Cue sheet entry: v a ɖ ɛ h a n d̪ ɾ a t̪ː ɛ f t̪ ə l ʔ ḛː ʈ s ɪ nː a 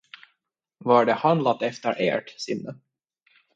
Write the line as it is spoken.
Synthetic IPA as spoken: v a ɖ ɛ h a n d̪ l a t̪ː ɛ f t̪ ə ɾ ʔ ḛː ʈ s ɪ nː ə